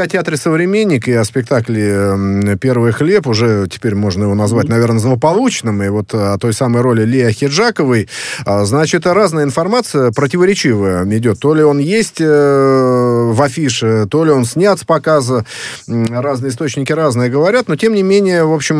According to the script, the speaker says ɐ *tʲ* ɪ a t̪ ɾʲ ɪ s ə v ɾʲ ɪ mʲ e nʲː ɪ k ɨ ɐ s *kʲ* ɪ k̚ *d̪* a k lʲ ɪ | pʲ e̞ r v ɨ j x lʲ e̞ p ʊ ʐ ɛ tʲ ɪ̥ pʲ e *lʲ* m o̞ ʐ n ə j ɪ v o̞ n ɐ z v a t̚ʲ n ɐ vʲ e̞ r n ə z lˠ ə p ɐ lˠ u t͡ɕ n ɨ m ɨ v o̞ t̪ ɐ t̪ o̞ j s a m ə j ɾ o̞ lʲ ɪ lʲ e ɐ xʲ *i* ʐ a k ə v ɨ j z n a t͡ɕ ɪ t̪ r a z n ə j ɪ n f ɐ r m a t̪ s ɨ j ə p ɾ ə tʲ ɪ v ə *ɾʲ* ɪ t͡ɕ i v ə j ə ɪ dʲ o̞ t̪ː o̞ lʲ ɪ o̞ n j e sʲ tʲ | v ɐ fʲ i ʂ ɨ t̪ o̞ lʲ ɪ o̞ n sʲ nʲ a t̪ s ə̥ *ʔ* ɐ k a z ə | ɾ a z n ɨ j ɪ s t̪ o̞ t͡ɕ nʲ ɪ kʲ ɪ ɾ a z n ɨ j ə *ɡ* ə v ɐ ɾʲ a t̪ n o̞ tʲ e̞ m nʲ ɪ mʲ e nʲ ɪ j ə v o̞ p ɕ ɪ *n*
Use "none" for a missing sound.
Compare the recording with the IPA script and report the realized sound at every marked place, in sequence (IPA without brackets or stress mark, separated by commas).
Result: tʲ, pʲ, t̪, ɾʲ, ɪ, ɾʲ, p, ɡ, m